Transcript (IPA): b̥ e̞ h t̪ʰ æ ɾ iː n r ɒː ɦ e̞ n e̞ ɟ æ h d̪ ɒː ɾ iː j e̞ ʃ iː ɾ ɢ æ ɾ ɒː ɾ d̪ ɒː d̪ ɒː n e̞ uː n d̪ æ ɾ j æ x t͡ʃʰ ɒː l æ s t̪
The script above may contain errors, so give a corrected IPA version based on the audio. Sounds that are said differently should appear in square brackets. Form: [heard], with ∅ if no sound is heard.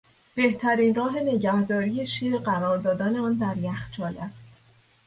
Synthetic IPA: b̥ e̞ h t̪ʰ æ ɾ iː n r ɒː ɦ e̞ n e̞ ɟ æ h d̪ ɒː ɾ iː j e̞ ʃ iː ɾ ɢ æ ɾ ɒː ɾ d̪ ɒː d̪ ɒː n e̞ [ɒː] n d̪ æ ɾ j æ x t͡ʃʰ ɒː l æ s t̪